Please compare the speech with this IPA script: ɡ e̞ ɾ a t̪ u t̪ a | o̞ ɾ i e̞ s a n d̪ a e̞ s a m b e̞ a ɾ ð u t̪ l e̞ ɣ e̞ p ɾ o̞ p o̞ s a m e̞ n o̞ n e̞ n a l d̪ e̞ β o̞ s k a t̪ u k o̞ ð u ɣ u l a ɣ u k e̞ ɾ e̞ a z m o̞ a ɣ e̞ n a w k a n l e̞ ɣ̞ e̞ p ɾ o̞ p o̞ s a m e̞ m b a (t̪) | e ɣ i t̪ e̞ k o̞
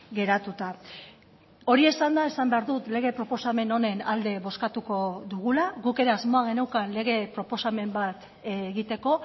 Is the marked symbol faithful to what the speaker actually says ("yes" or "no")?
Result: yes